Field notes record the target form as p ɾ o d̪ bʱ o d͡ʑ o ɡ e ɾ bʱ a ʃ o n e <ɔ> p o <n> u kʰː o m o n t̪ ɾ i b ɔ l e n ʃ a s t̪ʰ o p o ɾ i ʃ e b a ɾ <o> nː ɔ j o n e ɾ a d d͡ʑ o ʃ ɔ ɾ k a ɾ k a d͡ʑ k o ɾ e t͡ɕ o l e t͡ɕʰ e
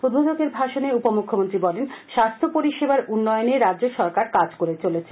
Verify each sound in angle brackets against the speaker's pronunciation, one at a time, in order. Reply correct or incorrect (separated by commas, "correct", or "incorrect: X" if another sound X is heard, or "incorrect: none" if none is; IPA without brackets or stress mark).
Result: incorrect: u, incorrect: m, incorrect: u